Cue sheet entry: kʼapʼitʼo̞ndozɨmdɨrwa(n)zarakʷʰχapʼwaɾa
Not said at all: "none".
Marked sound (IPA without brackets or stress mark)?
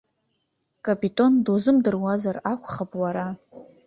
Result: none